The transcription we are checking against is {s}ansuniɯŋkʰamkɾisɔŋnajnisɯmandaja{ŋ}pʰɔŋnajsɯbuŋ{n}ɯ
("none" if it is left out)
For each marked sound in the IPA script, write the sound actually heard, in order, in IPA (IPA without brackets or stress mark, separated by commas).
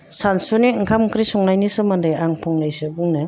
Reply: s, ŋ, n